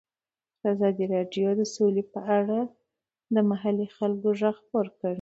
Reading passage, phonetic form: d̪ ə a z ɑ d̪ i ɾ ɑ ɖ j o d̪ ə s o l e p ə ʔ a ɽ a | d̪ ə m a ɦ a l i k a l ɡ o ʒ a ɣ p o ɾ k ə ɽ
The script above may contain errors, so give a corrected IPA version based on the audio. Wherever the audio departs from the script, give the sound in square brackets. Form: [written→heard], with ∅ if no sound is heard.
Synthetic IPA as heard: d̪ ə a z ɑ d̪ i ɾ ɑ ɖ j o d̪ ə s o l e p ə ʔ a ɽ a | d̪ ə m a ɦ a l i [k→x] a l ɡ o ʒ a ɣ p o ɾ k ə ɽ